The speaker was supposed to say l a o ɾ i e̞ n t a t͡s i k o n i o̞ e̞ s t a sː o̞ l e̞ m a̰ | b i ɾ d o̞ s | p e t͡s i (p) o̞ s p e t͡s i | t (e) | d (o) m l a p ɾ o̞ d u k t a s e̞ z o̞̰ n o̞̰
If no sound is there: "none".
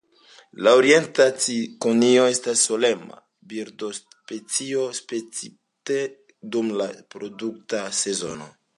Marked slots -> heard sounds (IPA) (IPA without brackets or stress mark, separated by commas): none, e, u